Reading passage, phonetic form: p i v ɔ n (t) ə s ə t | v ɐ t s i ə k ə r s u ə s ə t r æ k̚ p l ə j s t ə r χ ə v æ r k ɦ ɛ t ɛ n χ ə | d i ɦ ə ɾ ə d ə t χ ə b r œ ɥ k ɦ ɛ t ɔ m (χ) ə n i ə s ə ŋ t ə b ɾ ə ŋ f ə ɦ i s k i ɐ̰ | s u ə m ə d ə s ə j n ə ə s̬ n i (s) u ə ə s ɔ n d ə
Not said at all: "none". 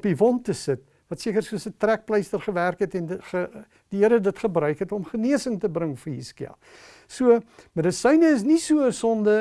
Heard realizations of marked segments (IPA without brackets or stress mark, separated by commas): t, χ, s